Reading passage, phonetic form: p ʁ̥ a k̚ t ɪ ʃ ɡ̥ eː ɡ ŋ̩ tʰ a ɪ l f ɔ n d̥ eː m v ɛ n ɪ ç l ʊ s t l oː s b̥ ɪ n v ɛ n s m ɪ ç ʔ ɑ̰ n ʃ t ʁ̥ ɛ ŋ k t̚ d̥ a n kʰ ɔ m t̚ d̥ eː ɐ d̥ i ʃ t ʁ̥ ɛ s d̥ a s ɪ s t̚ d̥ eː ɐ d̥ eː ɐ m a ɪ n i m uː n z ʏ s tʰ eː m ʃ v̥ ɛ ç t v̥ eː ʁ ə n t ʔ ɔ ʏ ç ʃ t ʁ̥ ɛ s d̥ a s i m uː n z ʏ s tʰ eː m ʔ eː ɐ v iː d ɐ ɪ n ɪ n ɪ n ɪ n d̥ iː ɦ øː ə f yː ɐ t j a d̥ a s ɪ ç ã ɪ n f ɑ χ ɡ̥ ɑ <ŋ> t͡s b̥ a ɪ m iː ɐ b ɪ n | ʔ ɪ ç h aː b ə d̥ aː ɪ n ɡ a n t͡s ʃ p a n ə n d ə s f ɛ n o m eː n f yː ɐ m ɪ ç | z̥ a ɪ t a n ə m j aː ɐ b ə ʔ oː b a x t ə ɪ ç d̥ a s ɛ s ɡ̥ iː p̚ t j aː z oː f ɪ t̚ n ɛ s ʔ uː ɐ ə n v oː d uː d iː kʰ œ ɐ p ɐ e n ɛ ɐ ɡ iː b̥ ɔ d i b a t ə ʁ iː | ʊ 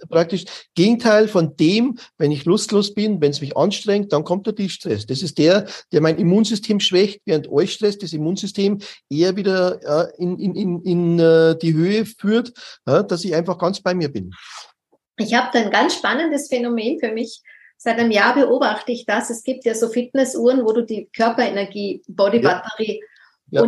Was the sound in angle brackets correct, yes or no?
no